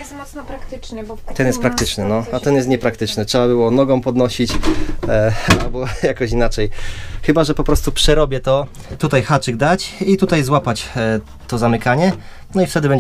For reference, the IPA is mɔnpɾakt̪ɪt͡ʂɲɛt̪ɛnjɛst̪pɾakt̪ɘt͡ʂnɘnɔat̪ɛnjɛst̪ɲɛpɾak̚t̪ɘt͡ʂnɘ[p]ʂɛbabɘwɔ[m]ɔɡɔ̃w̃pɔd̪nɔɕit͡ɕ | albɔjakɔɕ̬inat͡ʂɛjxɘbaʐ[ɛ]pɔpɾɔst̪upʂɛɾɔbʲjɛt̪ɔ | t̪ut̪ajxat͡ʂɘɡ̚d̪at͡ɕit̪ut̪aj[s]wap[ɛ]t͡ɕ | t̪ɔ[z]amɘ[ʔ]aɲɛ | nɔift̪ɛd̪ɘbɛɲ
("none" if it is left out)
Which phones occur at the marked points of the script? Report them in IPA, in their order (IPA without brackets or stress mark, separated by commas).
t, n, ɛ, z, a, z, k